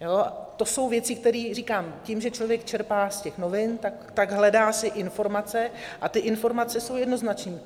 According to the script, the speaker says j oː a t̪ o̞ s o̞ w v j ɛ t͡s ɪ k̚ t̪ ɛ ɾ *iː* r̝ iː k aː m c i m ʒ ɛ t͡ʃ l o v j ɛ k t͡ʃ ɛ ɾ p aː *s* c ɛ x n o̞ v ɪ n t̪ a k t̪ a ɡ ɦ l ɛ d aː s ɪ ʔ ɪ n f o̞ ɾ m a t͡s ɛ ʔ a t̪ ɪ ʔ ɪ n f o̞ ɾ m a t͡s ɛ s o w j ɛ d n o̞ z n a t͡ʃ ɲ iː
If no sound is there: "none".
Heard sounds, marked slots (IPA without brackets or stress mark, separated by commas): iː, s